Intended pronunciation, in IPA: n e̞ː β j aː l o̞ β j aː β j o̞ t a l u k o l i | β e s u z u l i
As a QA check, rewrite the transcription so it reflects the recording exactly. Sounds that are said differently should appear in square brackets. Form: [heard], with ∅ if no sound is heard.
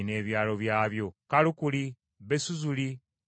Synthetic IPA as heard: n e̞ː β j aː l o̞ β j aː β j o̞ [k] a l u k [u] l i | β e s u z u l i